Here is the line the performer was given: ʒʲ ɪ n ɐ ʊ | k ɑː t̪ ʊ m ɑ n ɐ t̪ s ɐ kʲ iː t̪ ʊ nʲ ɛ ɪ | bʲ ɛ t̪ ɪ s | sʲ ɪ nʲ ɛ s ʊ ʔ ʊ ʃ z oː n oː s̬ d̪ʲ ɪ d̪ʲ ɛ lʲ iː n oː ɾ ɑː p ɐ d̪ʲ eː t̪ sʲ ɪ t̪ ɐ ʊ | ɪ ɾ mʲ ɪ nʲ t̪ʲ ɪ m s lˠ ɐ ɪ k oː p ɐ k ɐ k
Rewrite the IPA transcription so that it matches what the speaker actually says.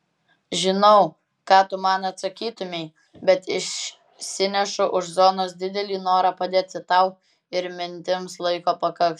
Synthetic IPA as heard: ʒʲ ɪ n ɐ ʊ | k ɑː t̪ ʊ m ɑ n ɐ t̪ s ɐ kʲ iː t̪ ʊ mʲ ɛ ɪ | bʲ ɛ t̪ ɪ ʃ | sʲ ɪ nʲ ɛ ʃ ʊ ʔ ʊ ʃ z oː n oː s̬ d̪ʲ ɪ d̪ʲ ɛ lʲ iː n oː ɾ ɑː p ɐ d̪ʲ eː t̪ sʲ ɪ t̪ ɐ ʊ | ɪ ɾ mʲ ɪ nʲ t̪ʲ ɪ m s lˠ ɐ ɪ k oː p ɐ k ɐ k

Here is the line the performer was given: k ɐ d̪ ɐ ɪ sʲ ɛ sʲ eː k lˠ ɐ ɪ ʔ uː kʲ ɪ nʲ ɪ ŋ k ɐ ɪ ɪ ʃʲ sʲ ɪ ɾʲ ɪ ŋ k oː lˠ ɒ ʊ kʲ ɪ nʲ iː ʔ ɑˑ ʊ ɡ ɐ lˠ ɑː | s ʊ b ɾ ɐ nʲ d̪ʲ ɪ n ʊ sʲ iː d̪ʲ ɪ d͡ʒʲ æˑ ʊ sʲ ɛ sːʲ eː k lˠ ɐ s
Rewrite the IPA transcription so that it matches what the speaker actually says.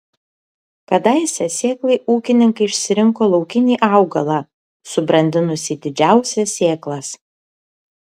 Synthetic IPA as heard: k ɐ d̪ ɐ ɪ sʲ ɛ sʲ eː k lˠ ɐ ɪ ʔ uː kʲ ɪ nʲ ɪ ŋ k ɐ ɪ ɪ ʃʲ sʲ ɪ ɾʲ ɪ ŋ k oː lˠ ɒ ʊ kʲ ɪ nʲ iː ʔ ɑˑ ʊ ɡ ɐ lˠ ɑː | s ʊ b ɾ ɐ nʲ d̪ʲ ɪ n ʊ sʲ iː d̪ʲ ɪ d͡ʒʲ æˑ ʊ sʲ ɛ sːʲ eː k lˠ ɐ s

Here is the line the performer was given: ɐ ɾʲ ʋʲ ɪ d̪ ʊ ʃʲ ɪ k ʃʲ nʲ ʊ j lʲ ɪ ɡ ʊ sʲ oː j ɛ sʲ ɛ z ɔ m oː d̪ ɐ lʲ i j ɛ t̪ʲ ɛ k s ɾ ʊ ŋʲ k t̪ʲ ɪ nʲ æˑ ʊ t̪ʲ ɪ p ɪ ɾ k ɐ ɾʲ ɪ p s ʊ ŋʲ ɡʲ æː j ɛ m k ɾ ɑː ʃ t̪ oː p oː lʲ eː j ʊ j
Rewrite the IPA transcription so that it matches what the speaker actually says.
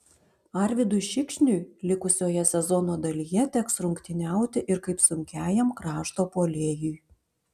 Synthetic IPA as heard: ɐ ɾʲ ʋʲ ɪ d̪ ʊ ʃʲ ɪ k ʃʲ nʲ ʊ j lʲ ɪ k ʊ sʲ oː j ɛ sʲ ɛ z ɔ n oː d̪ ɐ lʲ i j ɛ t̪ʲ ɛ k s ɾ ʊ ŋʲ k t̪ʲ ɪ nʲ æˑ ʊ t̪ʲ ɪ ʔ ɪ ɾ k ɐ ɪ p s ʊ ŋʲ kʲ æː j ɛ m k ɾ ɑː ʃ t̪ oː p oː lʲ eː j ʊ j

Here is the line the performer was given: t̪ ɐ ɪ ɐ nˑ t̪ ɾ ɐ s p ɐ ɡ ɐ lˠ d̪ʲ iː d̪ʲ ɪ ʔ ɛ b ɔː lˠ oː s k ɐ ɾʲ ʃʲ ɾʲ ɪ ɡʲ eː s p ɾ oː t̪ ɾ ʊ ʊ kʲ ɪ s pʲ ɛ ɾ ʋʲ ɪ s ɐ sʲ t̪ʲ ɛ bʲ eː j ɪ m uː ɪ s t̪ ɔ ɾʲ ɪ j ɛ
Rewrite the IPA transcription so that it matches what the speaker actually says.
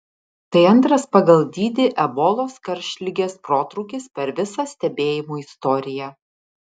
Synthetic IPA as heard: t̪ ɐ ɪ ɐ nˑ t̪ ɾ ɐ s p ɐ ɡ ɐ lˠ d̪ʲ iː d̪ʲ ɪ ʔ ɛ b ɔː lˠ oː s k ɐ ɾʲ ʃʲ lʲ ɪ ɡʲ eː s p ɾ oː t̪ ɾ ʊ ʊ kʲ ɪ s pʲ ɛ ɾ ʋʲ ɪ s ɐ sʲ t̪ʲ ɛ bʲ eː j ɪ m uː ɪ s t̪ ɔ ɾʲ ɪ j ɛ

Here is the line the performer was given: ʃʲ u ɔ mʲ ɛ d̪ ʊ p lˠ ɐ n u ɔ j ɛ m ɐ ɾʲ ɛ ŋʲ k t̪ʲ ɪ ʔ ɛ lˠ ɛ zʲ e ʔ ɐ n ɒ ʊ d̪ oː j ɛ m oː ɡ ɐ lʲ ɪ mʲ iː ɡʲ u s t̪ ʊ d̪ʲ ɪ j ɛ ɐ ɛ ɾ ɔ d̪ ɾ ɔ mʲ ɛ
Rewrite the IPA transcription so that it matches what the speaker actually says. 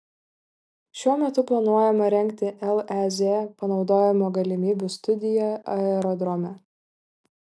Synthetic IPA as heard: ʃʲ u ɔ mʲ ɛ t̪ ʊ p lˠ ɐ n u ɔ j ɛ m ɐ ɾʲ ɛ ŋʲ k t̪ʲ ɪ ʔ ɛ lˠ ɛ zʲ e p ɐ n ɒ ʊ d̪ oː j ɛ m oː ɡ ɐ lʲ ɪ mʲ iː bʲ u s t̪ ʊ d̪ʲ ɪ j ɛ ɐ ɛ ɾ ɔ d̪ ɾ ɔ mʲ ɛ

